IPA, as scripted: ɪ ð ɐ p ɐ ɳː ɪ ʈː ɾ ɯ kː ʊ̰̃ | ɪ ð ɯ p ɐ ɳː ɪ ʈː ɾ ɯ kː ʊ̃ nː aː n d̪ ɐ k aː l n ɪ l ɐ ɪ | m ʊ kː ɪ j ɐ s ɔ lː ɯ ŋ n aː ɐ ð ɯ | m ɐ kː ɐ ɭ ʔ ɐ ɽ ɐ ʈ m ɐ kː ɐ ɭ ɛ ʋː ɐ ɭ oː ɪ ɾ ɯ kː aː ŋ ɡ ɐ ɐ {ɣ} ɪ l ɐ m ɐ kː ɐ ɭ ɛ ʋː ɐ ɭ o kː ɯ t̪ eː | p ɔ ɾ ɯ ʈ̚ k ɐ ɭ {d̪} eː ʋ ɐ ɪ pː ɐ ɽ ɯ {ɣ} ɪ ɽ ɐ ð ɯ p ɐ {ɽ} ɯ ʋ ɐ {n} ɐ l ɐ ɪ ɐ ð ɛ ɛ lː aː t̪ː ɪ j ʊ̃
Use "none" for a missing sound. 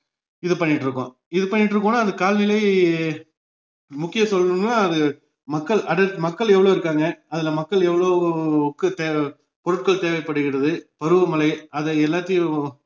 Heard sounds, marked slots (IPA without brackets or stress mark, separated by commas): ð, t̪, ɣ, ɾ, m